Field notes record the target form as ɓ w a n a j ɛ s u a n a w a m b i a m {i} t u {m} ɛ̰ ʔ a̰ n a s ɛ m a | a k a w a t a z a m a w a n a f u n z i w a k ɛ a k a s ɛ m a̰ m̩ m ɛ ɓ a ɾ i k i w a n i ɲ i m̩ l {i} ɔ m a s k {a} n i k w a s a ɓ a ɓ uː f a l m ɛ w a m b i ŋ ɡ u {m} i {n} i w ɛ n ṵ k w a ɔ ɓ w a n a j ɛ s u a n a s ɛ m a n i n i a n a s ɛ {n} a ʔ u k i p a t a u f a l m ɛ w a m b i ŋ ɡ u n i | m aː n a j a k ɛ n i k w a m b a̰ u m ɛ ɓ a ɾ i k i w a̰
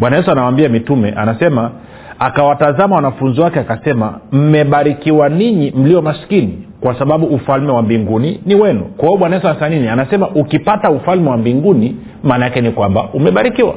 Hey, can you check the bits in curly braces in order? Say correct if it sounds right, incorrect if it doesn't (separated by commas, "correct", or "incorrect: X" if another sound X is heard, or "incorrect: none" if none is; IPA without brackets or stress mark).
correct, correct, correct, incorrect: i, incorrect: n, correct, incorrect: m